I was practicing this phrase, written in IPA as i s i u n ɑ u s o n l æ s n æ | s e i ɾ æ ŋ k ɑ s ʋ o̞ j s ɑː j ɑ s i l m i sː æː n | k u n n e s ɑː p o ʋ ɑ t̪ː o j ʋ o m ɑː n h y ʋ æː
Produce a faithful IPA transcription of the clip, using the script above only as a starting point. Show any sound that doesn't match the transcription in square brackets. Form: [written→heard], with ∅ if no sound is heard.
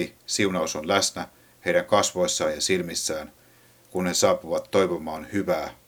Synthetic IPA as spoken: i s i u n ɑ u s o n l æ s n æ | [s→h] e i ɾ æ ŋ k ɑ s ʋ o̞ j [s→sː] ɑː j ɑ s i l m i sː æː n | k u n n e s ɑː p [o→u] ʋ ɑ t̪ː o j ʋ o m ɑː n h y ʋ æː